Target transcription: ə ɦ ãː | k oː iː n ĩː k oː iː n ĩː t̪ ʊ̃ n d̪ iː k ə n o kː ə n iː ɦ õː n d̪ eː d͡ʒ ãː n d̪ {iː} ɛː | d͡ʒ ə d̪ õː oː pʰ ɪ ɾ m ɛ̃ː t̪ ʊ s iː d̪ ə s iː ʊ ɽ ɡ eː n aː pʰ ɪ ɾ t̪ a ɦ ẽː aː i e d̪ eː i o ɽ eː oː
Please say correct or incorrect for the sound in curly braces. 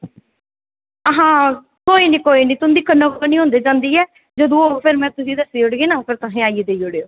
correct